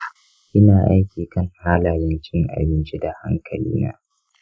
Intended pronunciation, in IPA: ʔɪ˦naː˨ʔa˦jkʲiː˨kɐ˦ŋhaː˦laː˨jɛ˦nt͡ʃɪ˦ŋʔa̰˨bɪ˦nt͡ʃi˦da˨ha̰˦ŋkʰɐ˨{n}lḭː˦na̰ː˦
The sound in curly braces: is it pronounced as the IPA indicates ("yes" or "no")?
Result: no